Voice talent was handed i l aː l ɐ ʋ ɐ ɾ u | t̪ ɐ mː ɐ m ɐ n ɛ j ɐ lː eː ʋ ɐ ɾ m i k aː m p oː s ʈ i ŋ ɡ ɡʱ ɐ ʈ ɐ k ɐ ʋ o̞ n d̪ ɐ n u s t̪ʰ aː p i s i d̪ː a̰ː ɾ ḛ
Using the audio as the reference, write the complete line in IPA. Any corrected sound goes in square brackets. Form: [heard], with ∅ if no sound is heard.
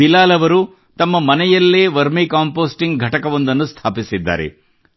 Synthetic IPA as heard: i l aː l ɐ ʋ ɐ ɾ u | t̪ ɐ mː ɐ m ɐ n ɛ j ɐ lː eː ʋ ɐ ɾ m i k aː m p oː s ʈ i ŋ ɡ ɡʱ ɐ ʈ ɐ k ɐ ʋ o̞ n d̪ ɐ [nː] u s t̪ʰ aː p i s i d̪ː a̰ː ɾ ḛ